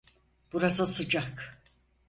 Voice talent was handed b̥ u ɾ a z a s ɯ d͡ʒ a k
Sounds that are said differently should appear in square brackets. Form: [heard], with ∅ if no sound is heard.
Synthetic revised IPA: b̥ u ɾ a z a s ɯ d͡ʒ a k